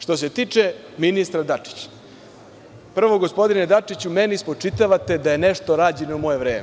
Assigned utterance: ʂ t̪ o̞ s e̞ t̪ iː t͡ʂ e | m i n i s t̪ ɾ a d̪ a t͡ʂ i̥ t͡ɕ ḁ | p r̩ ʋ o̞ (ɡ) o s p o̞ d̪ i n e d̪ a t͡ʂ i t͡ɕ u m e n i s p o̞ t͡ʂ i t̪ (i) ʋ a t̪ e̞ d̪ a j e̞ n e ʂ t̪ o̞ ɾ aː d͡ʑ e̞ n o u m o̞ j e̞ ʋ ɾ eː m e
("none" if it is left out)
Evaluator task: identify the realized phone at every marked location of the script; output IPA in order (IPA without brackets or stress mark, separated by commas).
ɡ, a